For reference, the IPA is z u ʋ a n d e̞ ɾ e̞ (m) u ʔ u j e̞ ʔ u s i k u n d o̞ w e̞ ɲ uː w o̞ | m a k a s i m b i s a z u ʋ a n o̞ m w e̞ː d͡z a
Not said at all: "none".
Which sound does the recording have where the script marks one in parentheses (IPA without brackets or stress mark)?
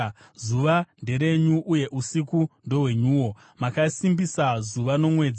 ɲ